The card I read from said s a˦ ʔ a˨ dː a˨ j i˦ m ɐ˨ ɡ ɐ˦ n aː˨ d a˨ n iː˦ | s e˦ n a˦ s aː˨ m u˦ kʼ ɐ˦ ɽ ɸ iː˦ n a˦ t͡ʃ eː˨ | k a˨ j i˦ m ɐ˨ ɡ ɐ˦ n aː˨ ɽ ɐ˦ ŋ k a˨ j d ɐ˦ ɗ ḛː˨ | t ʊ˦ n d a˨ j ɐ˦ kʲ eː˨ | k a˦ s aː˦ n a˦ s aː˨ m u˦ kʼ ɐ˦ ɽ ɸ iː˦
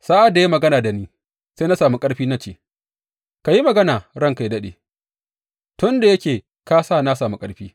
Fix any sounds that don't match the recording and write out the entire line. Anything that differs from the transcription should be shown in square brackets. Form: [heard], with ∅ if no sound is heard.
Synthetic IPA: s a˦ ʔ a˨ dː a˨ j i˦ m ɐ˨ ɡ ɐ˦ n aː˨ d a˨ n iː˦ | s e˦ n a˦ s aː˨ m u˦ kʼ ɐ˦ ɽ ɸ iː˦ n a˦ t͡ʃ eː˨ | k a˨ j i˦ m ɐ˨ ɡ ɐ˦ n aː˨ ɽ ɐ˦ ŋ k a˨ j d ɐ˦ ɗ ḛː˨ | t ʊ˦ n d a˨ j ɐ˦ kʲ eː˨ | k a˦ s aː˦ n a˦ s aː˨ m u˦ kʼ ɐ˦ ɽ ɸ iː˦